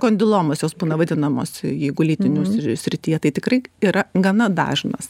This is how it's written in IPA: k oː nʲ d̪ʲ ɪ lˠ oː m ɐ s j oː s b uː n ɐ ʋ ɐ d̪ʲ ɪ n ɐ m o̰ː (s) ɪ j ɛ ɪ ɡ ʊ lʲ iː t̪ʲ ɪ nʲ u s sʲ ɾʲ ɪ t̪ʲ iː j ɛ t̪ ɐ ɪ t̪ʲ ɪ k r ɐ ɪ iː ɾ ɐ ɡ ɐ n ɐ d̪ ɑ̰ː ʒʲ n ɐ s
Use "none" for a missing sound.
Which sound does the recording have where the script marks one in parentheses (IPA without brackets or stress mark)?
s